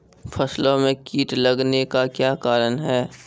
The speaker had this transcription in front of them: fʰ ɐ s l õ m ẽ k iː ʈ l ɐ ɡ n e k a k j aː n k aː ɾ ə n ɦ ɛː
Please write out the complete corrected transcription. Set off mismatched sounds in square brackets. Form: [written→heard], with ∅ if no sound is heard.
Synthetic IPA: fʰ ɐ s l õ m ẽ k iː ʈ l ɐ ɡ n e k a k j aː [n→∅] k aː ɾ ə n ɦ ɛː